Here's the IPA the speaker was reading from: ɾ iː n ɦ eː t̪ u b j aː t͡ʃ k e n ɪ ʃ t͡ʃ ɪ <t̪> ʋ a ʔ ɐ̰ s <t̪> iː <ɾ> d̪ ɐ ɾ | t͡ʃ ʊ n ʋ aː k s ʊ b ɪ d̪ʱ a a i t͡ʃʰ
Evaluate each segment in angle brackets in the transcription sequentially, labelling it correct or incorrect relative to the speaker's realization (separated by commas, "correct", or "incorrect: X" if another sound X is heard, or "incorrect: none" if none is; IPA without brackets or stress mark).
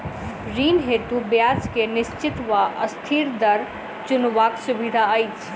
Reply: correct, incorrect: t̪ʰ, correct